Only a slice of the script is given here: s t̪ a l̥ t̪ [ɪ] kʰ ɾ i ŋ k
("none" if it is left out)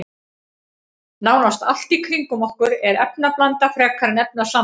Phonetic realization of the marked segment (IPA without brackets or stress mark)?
i